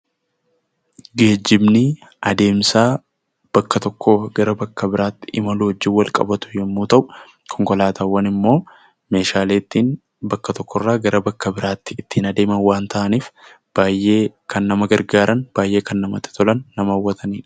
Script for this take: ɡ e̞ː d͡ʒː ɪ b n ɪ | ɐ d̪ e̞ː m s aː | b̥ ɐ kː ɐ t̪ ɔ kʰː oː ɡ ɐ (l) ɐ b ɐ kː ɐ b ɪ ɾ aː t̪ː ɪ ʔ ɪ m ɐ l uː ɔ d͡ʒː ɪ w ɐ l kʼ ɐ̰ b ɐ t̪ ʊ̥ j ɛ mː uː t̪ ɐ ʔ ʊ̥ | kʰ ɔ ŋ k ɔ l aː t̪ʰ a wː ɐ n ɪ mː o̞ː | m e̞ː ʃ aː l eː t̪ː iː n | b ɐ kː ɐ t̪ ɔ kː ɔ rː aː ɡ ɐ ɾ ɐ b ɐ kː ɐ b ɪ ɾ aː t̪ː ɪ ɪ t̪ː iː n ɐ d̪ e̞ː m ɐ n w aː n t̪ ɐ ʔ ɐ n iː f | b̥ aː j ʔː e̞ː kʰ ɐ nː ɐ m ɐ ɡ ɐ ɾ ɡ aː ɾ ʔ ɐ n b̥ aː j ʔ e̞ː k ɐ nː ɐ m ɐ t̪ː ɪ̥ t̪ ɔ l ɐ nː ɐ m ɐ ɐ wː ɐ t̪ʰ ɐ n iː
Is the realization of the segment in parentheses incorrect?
yes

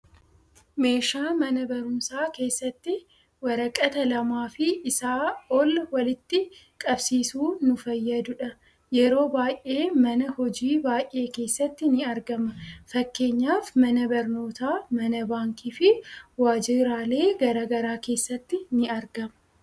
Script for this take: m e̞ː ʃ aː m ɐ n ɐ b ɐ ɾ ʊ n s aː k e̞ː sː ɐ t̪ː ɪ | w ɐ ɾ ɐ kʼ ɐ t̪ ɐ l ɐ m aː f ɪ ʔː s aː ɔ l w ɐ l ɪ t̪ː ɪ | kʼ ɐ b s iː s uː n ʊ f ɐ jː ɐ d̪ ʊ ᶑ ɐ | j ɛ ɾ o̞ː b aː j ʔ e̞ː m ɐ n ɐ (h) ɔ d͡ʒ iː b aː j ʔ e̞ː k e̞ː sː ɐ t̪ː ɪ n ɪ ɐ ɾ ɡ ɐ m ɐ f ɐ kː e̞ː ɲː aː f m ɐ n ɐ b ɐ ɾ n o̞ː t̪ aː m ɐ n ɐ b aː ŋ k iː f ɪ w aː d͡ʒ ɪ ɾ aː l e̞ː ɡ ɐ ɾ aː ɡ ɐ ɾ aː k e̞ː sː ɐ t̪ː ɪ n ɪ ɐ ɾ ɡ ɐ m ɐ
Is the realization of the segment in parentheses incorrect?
no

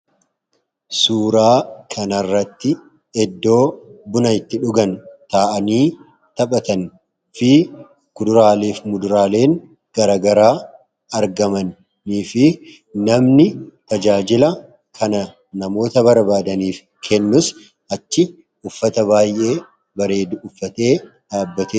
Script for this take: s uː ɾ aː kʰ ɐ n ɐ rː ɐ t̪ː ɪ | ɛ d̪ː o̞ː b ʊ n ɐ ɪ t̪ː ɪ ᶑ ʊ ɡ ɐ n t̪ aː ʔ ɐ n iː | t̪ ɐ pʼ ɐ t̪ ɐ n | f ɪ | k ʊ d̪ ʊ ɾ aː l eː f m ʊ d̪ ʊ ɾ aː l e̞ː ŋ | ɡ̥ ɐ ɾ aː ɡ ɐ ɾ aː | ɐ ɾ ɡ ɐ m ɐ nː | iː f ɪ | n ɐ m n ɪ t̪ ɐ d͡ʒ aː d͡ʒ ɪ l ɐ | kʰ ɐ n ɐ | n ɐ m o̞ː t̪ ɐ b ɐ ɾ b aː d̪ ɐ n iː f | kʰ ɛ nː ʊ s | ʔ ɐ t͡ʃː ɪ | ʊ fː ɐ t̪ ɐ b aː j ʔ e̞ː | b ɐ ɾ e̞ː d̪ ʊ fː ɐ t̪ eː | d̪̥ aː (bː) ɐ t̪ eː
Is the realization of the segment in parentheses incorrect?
no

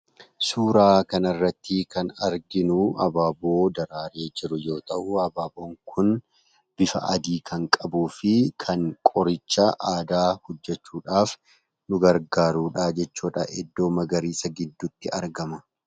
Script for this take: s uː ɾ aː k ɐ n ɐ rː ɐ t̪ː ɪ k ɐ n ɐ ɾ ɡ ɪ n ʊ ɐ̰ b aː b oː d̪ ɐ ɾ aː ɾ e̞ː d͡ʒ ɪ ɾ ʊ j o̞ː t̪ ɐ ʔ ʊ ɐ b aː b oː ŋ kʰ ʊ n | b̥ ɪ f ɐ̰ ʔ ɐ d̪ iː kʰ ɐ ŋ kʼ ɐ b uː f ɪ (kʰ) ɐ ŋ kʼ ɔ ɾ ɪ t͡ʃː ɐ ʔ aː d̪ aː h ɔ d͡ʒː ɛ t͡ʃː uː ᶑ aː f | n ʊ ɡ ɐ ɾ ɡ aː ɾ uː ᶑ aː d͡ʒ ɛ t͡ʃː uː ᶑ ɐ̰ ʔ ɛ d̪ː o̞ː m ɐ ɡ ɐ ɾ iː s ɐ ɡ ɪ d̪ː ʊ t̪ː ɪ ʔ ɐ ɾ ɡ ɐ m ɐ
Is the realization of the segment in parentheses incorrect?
no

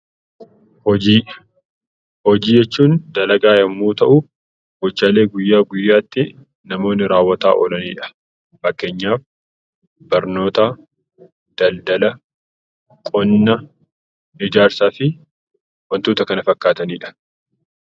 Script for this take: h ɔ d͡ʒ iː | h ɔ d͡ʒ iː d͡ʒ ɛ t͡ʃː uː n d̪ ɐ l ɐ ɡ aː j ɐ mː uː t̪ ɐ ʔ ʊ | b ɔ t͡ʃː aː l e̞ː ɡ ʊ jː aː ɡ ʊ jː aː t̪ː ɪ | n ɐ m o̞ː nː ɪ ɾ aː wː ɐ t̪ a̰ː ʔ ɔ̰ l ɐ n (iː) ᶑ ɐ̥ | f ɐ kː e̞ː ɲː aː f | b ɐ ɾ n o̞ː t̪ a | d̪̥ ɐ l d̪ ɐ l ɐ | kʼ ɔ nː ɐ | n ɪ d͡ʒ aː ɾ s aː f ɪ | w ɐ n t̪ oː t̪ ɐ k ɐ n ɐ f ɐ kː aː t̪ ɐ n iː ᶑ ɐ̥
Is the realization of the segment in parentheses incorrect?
no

